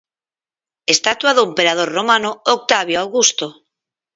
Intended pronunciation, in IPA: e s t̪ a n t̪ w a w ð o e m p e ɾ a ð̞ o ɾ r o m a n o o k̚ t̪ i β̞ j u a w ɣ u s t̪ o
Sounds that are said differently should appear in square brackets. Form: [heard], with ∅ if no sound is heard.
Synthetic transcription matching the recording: e s t̪ a [∅] t̪ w a [∅] ð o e m p e ɾ a ð̞ o ɾ r o m a n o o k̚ t̪ [a] β̞ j [o] a w ɣ u s t̪ o